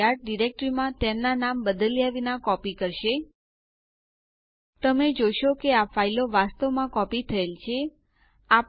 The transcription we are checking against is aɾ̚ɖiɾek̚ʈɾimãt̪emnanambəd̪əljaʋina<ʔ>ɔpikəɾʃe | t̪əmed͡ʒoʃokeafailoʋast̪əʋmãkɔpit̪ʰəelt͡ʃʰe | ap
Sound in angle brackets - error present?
yes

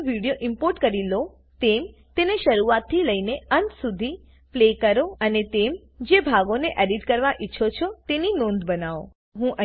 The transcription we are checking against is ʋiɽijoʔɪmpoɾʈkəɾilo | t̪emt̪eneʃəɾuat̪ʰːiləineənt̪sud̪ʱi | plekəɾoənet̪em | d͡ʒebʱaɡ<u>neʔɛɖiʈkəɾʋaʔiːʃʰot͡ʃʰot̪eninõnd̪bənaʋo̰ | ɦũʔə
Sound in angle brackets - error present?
yes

